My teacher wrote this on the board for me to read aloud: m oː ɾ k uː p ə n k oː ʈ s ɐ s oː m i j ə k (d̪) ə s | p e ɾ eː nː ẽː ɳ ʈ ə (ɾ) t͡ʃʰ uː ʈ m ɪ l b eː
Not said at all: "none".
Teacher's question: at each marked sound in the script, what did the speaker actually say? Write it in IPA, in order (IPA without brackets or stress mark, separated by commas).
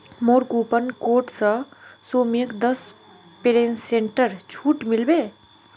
d̪, ɾ